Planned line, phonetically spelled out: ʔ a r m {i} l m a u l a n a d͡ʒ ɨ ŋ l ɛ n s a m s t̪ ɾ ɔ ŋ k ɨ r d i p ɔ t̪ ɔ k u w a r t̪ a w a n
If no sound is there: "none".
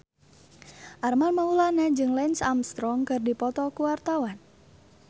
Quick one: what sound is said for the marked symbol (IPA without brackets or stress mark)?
a